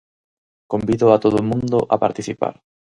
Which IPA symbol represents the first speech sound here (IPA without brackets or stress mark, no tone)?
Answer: k